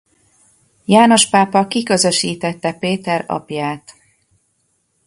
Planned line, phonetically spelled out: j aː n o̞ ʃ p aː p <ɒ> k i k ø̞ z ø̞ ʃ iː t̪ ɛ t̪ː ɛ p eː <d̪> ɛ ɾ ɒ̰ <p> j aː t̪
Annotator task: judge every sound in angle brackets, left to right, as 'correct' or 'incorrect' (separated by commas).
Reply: correct, incorrect, correct